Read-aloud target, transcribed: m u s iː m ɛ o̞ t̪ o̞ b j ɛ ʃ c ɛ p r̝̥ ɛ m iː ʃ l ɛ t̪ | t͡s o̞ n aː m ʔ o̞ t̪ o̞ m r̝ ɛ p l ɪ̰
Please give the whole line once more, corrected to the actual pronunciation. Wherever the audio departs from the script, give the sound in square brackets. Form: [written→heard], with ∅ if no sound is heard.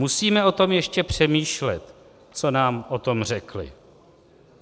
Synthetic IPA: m u s iː m ɛ o̞ t̪ o̞ [b→m] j ɛ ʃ c ɛ p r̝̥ ɛ m iː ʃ l ɛ t̪ | t͡s o̞ n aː m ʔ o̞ t̪ o̞ m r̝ ɛ [p→k] l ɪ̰